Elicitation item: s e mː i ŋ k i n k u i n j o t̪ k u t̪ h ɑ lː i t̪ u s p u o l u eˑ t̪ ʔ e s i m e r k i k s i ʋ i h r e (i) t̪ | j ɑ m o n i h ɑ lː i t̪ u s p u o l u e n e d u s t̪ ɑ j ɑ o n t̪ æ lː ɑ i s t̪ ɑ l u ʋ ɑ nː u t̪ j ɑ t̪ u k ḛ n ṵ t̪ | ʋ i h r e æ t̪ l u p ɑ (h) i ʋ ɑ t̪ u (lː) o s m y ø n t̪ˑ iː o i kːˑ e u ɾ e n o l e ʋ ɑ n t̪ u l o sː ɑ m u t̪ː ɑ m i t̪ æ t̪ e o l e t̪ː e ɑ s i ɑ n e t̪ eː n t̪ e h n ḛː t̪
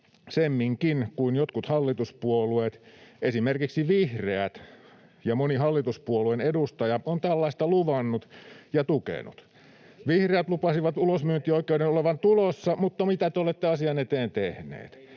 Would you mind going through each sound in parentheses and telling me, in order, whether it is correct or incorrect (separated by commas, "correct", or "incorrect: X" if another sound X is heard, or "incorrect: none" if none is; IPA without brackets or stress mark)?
incorrect: æ, incorrect: s, incorrect: l